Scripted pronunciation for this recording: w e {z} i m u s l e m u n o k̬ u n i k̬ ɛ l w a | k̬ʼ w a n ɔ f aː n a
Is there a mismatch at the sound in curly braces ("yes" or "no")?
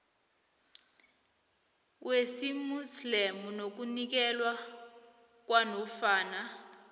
yes